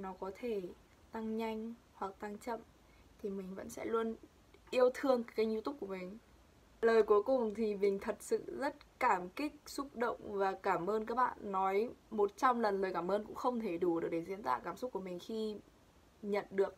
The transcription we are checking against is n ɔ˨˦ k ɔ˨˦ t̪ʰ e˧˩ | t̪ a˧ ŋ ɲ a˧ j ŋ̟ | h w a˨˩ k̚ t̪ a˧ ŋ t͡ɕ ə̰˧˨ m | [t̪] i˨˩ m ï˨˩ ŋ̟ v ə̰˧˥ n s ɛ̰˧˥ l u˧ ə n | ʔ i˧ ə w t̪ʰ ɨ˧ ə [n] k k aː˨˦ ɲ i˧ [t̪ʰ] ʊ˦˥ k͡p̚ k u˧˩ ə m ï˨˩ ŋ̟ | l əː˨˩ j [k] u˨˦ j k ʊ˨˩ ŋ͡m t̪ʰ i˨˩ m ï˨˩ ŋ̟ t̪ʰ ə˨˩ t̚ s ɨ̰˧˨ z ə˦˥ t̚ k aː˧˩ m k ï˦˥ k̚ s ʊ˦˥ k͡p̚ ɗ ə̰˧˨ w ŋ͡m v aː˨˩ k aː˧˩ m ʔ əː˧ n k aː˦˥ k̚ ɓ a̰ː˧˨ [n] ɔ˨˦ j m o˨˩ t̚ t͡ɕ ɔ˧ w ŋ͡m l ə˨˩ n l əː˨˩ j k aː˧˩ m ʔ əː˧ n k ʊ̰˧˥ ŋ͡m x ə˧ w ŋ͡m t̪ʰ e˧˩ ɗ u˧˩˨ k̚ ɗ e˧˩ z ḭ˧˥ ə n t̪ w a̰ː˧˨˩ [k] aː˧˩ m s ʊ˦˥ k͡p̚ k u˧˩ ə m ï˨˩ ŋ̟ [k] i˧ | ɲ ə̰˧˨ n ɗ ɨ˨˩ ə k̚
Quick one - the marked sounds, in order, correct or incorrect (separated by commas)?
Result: incorrect, incorrect, incorrect, correct, incorrect, correct, incorrect